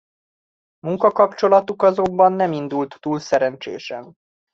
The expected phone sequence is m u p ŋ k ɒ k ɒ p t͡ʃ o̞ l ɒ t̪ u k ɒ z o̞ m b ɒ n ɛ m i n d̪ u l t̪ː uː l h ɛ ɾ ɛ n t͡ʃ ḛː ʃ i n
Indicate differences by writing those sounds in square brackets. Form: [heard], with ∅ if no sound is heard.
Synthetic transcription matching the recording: m u [∅] ŋ k ɒ k ɒ p t͡ʃ o̞ l ɒ t̪ u k ɒ z o̞ m b ɒ [nː] ɛ m i n d̪ u l t̪ː uː l [s] ɛ ɾ ɛ n t͡ʃ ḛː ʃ [ɛ] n